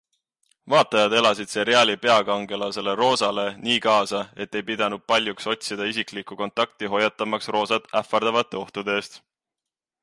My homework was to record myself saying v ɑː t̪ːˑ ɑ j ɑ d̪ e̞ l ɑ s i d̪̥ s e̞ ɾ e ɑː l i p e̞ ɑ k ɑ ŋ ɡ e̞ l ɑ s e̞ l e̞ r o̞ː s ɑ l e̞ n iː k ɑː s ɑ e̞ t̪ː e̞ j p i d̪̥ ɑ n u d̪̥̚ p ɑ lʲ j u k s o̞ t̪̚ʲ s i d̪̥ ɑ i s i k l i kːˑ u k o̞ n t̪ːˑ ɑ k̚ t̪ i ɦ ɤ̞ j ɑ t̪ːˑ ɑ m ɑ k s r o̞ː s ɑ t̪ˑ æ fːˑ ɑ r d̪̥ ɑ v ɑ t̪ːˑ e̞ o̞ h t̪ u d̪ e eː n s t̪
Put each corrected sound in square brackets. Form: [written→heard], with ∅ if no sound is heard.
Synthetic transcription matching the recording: v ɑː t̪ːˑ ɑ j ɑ d̪ e̞ l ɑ s i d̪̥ s e̞ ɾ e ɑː l i p e̞ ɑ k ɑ ŋ ɡ e̞ l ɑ s e̞ l e̞ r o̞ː s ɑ l e̞ n iː k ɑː s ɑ e̞ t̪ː e̞ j p i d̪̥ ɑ n u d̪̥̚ p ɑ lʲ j u k s o̞ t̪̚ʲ s i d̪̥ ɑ i s i k l i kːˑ u k o̞ n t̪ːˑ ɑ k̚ t̪ i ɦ [ɤ̞→o̞] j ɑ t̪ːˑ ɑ m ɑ k s r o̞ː s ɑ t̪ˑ æ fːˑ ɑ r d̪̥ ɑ v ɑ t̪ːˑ e̞ o̞ h t̪ u d̪ e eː [n→∅] s t̪